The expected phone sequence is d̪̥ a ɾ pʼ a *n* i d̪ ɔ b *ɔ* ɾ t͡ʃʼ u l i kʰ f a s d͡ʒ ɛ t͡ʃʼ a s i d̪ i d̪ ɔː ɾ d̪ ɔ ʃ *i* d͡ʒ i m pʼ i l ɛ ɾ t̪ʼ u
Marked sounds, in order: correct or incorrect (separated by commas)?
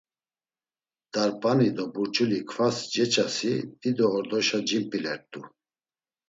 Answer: correct, incorrect, incorrect